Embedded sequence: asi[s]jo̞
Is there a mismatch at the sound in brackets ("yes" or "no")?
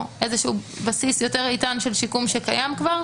no